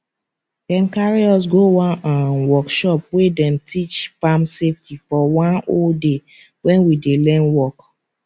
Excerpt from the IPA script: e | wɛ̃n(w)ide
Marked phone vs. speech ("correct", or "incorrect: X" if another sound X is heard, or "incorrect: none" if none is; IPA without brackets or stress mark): correct